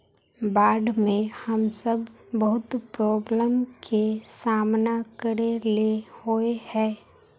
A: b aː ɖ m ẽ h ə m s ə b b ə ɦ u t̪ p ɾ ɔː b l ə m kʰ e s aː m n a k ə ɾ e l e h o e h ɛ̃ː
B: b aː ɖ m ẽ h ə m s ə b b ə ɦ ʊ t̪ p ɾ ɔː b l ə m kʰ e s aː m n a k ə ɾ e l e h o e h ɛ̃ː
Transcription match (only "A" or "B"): B